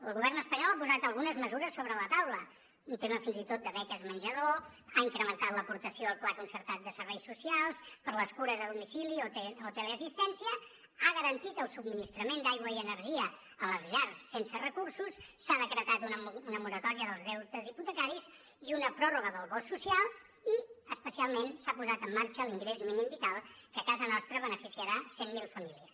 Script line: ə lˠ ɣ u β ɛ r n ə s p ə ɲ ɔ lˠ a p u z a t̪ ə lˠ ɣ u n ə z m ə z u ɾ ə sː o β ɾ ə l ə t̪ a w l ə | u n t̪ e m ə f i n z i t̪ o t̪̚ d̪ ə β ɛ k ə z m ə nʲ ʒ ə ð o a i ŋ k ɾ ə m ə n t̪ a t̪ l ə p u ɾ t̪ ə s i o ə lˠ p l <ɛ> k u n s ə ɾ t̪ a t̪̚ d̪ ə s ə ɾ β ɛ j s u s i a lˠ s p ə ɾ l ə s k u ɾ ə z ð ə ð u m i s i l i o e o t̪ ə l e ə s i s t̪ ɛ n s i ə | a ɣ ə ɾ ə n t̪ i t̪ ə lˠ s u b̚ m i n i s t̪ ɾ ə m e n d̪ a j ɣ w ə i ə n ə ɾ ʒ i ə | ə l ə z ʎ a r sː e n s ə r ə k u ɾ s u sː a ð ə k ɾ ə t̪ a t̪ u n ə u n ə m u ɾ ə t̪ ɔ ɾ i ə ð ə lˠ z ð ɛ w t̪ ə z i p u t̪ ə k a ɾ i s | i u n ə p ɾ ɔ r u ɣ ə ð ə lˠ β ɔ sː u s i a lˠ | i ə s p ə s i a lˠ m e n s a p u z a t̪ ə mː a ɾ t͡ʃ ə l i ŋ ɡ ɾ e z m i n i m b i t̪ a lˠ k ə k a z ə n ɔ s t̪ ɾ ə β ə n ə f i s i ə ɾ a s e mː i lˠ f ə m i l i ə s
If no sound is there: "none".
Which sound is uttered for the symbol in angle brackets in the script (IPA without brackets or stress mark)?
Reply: a